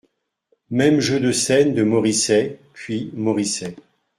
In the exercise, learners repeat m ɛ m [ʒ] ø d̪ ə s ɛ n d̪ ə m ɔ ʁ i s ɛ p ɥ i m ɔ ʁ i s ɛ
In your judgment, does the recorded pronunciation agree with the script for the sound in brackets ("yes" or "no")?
yes